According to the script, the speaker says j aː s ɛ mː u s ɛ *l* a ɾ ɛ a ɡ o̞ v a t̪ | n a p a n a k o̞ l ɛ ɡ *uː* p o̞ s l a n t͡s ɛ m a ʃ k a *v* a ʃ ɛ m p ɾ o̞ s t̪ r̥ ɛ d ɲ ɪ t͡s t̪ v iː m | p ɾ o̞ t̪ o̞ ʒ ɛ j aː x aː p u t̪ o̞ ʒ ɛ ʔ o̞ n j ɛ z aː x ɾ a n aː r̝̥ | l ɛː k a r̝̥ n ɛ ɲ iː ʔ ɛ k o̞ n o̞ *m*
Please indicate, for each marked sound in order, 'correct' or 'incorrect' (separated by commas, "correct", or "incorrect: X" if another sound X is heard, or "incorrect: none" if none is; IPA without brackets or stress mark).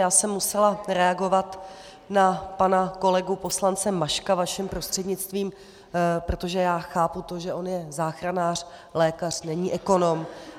correct, incorrect: u, correct, correct